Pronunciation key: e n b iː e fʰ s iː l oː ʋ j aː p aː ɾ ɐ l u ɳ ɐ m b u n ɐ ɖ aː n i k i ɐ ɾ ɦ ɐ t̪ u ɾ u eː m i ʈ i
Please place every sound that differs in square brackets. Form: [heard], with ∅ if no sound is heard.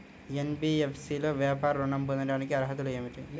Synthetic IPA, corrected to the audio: e n b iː e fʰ s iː l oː ʋ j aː p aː ɾ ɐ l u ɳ ɐ m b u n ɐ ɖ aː n i k i ɐ ɾ ɦ ɐ t̪ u [l] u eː m i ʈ i